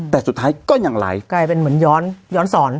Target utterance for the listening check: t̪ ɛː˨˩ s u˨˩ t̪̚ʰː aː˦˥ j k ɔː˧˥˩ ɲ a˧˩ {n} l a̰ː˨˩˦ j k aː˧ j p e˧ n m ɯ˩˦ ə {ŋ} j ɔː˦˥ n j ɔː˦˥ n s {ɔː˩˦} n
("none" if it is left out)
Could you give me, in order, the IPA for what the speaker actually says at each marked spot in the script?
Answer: ŋ, n, ɔː˩˦

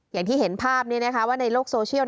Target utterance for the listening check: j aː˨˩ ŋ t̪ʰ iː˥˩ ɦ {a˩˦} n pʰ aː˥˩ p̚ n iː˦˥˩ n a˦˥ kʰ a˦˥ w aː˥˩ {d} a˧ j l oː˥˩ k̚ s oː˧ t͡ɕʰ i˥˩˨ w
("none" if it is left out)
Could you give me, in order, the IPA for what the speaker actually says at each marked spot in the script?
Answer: e˩˦, n

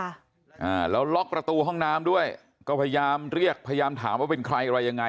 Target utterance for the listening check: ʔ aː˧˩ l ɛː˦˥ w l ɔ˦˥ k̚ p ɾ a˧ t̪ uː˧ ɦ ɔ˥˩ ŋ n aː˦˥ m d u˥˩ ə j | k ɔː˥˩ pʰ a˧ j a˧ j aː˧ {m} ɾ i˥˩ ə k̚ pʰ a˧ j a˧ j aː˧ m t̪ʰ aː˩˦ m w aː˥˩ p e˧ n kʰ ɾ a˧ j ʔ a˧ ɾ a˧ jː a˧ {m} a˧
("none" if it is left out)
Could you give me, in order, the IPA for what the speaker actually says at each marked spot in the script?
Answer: m, ŋ

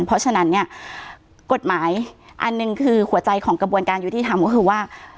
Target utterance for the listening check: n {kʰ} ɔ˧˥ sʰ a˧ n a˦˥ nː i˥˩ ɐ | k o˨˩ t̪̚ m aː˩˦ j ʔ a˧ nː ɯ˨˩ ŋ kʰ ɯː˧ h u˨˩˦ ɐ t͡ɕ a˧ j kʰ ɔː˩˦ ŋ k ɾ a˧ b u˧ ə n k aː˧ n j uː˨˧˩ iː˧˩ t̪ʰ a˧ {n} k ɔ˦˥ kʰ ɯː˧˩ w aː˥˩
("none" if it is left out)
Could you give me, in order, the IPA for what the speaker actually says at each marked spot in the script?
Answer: pʰ, m

